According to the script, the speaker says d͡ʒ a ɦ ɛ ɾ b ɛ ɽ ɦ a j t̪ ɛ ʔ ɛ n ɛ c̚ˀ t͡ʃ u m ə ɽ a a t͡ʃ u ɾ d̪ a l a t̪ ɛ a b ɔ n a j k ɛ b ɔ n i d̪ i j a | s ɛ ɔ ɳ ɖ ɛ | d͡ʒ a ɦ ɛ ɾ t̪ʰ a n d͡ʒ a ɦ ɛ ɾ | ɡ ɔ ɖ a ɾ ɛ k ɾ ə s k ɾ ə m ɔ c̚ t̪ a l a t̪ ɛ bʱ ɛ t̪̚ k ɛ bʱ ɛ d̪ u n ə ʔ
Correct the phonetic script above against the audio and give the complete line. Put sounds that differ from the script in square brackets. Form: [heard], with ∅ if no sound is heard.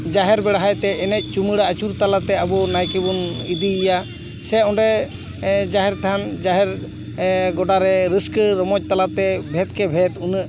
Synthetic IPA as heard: d͡ʒ a ɦ ɛ ɾ b ɛ ɽ ɦ a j t̪ ɛ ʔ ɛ n ɛ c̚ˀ t͡ʃ u m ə ɽ a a t͡ʃ u ɾ [t̪] a l a t̪ ɛ a b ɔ n a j k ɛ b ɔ n i d̪ i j a | s ɛ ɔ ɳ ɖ ɛ | d͡ʒ a ɦ ɛ ɾ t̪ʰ a n d͡ʒ a ɦ ɛ ɾ | ɡ ɔ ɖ a ɾ ɛ [∅] ɾ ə s k ɾ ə m ɔ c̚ t̪ a l a t̪ ɛ bʱ ɛ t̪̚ k ɛ bʱ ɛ [t̪] u n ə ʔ